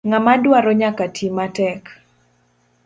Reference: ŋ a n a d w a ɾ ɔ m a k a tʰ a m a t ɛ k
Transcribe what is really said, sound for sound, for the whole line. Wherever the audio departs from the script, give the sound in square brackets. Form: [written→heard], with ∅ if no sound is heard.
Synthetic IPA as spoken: ŋ a [n→m] a d w a ɾ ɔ [m→ɲ] a k a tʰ [a→i] m a t ɛ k